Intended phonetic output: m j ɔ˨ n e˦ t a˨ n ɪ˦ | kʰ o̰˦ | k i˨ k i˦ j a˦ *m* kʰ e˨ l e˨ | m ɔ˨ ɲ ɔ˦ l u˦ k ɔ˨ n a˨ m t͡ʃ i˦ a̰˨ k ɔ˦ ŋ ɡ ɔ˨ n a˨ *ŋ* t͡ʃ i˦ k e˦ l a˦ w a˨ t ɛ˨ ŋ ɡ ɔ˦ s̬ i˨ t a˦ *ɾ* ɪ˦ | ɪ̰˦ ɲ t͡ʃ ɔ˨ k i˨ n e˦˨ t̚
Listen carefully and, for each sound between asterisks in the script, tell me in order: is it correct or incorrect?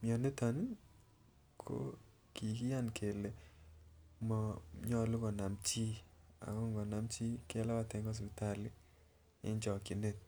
incorrect, incorrect, incorrect

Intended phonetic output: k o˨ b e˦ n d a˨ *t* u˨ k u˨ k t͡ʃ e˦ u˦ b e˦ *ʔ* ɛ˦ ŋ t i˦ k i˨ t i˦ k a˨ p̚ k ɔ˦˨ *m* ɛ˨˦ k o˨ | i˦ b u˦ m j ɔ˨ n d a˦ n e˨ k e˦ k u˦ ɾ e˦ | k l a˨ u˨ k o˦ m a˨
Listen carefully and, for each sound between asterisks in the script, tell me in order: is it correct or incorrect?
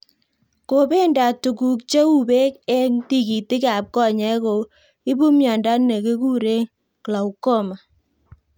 correct, incorrect, incorrect

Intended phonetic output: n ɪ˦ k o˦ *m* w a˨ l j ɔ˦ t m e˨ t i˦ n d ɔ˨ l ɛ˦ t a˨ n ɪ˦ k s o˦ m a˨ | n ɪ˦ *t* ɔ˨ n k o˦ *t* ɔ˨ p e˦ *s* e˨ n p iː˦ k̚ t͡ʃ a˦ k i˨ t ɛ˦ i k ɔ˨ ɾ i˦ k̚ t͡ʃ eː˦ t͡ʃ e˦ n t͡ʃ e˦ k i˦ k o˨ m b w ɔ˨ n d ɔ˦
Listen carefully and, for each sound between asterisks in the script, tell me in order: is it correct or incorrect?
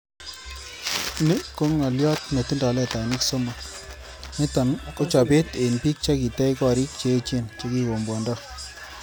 incorrect, correct, incorrect, incorrect

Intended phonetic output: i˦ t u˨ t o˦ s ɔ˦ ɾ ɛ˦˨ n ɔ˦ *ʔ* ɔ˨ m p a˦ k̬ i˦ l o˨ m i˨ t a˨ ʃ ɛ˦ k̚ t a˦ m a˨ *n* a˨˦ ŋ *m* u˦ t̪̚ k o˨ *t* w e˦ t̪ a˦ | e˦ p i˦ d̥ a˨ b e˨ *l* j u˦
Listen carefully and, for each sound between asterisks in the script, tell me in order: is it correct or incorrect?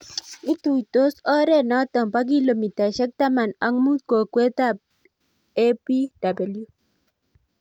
incorrect, correct, correct, incorrect, correct

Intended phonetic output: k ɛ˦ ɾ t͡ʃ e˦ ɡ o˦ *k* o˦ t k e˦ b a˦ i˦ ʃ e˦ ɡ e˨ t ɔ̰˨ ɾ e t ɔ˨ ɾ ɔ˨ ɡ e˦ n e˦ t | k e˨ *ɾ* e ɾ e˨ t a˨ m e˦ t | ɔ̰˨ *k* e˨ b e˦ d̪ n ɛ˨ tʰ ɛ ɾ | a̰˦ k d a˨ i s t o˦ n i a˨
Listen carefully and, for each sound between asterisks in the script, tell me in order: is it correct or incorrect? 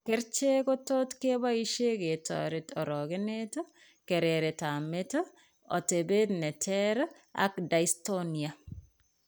incorrect, correct, incorrect

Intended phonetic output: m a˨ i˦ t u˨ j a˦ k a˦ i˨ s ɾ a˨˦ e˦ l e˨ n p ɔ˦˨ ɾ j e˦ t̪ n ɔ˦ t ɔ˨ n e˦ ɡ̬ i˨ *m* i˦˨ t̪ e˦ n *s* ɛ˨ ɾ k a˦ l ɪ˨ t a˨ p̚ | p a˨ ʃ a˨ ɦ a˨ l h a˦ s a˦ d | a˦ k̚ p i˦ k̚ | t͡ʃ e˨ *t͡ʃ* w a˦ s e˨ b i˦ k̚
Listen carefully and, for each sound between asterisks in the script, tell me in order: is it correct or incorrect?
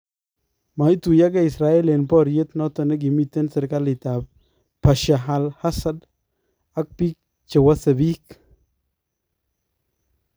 correct, correct, incorrect

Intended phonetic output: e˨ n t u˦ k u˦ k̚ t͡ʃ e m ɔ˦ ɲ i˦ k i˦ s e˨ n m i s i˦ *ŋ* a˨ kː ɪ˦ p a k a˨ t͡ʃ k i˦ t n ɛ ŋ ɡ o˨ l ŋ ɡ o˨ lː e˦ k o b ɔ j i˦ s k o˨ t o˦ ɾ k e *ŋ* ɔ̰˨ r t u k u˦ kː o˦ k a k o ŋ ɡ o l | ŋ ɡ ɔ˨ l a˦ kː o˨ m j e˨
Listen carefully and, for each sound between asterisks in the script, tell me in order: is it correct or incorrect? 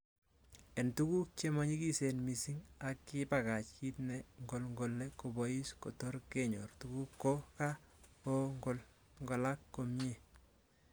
correct, incorrect

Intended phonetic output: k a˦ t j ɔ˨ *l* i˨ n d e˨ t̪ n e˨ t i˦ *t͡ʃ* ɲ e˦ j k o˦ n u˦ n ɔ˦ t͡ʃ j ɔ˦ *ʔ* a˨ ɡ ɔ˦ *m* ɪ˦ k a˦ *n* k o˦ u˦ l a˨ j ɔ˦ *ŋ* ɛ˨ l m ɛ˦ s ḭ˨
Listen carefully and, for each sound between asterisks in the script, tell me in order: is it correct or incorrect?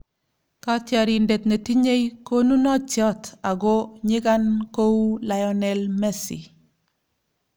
incorrect, incorrect, incorrect, incorrect, correct, incorrect

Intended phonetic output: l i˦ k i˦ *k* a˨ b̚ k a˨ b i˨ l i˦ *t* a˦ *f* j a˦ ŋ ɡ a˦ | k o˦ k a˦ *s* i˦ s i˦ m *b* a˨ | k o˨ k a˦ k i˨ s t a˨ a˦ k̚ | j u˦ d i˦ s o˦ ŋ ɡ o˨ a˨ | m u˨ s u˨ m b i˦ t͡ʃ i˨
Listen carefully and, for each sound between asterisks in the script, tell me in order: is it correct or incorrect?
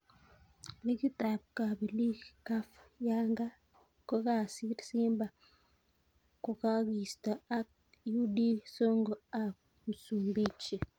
incorrect, incorrect, correct, correct, correct

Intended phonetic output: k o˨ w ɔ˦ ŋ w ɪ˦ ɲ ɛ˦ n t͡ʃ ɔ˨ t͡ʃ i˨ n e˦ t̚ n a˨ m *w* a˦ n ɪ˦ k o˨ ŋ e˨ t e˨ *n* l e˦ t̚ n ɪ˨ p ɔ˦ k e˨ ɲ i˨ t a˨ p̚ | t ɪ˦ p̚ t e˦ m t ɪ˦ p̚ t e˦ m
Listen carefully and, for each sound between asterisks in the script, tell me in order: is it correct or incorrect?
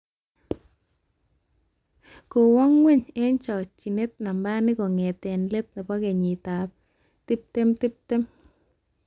incorrect, correct

